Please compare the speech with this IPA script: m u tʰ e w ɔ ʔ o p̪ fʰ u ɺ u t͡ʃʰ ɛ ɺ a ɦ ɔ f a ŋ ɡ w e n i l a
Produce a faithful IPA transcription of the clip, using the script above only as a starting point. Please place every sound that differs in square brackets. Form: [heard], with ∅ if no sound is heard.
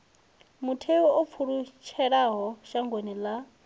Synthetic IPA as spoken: m u tʰ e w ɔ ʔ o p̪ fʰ u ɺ u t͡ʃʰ ɛ ɺ a ɦ ɔ [ʃ] a ŋ ɡ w e n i l a